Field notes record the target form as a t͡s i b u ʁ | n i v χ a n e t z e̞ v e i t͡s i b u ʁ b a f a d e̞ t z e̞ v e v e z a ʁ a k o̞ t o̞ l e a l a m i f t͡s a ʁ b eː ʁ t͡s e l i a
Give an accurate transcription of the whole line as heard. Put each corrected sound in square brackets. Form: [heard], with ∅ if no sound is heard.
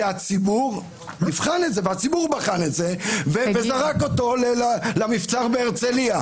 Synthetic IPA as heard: a t͡s i b u ʁ | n i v χ a n e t z e̞ v e [a] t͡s i b u ʁ b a [χ] a [n] e̞ t z e̞ v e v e z a ʁ a k o̞ t o̞ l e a l a m i f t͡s a ʁ b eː ʁ t͡s e l i a

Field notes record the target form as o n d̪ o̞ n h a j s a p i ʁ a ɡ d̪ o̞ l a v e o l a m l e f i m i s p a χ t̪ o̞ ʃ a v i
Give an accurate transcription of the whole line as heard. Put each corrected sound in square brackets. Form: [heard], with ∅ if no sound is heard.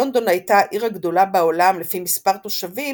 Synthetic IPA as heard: o n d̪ o̞ n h a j [t] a [ʔ] i ʁ a ɡ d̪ o̞ l a [b] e o l a m l e f i m i s p a [ʁ] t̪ o̞ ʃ a v i

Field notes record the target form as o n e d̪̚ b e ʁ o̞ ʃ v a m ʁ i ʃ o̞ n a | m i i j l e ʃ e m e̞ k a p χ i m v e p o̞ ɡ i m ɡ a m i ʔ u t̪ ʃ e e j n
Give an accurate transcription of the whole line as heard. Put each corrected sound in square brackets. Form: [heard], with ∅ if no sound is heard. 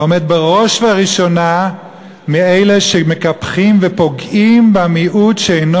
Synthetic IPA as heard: o [m] e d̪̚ b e ʁ o̞ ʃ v a [∅] ʁ i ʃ o̞ n a | m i [e] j l e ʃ e m e̞ k a p χ i m v e p o̞ ɡ i m [b] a m i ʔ u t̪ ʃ e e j n

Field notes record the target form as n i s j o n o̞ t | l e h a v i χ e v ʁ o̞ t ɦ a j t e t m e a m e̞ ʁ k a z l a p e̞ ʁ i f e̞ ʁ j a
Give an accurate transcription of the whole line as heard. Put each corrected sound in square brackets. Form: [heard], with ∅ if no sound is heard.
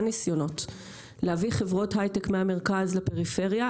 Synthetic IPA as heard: n i s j o n o̞ t | l e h a v i χ e v ʁ o̞ t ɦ a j t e [k] m e a m e̞ ʁ k a z l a p e̞ ʁ i f e̞ ʁ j a

